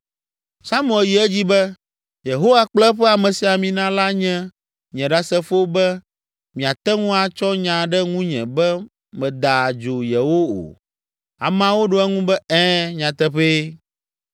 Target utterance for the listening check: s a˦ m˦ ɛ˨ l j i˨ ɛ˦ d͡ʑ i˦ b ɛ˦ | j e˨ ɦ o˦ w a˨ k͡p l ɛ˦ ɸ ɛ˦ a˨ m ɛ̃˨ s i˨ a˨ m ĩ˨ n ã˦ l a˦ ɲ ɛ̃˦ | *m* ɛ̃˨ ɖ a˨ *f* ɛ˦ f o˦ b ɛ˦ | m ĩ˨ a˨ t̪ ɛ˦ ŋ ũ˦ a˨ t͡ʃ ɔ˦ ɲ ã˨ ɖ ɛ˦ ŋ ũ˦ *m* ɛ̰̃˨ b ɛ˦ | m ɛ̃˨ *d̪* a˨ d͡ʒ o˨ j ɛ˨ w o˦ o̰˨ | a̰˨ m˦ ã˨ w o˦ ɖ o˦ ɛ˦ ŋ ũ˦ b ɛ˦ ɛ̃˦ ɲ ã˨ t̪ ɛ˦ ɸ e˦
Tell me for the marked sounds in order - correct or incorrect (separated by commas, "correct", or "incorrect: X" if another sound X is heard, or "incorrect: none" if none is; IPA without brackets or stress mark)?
incorrect: ɲ, incorrect: s, incorrect: ɲ, correct